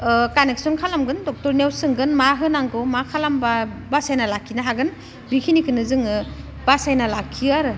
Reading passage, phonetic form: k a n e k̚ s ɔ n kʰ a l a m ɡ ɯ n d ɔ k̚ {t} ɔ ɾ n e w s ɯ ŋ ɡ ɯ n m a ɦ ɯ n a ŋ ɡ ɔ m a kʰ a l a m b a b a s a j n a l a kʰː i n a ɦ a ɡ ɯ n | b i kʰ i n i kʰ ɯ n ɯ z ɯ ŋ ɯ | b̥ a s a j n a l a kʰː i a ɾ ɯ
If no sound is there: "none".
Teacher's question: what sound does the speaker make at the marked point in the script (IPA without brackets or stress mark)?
t